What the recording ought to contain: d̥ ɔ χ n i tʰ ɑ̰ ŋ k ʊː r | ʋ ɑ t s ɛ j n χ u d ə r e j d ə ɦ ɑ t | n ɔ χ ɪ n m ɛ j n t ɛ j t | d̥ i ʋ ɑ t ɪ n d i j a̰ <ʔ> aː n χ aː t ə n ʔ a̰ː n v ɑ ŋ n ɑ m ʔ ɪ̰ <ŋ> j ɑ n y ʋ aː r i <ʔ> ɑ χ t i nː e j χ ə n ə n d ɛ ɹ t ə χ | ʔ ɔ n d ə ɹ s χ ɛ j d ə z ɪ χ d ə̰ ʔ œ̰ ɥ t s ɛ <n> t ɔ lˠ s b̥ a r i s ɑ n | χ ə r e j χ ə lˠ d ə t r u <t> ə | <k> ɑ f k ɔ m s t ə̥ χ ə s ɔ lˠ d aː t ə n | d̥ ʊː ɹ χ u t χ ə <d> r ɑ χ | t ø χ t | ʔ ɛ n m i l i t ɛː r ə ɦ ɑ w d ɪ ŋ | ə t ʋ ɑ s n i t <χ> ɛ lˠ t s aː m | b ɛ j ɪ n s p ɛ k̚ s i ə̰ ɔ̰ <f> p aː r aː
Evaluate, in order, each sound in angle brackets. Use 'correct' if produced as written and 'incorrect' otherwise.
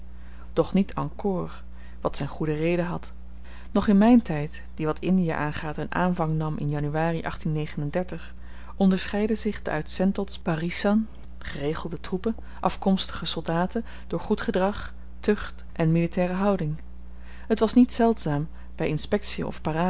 correct, incorrect, correct, correct, incorrect, incorrect, correct, incorrect, correct

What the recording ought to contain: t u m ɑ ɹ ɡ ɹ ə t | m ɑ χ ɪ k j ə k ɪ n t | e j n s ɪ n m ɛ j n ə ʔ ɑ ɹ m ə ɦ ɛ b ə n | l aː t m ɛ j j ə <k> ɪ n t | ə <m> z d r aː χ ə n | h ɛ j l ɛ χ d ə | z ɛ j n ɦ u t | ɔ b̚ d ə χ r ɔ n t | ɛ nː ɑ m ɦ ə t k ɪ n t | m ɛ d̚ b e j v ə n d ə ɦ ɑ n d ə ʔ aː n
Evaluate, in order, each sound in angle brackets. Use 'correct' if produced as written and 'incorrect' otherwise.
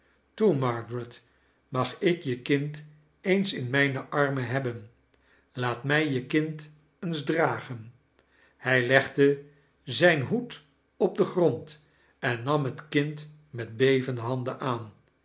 correct, incorrect

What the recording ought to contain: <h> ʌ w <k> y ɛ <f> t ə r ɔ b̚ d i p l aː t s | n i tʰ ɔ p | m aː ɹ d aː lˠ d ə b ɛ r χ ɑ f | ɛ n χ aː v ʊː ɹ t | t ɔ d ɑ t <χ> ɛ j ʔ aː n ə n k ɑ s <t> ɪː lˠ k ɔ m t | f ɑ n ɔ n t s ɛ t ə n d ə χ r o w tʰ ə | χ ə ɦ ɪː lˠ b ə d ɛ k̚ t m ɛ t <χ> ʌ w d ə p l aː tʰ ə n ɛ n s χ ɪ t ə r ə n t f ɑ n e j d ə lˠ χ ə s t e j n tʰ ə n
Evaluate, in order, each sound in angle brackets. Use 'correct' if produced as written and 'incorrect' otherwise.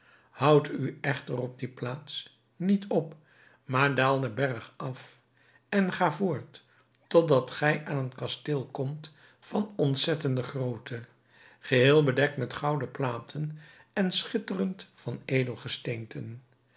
correct, incorrect, incorrect, correct, correct, correct

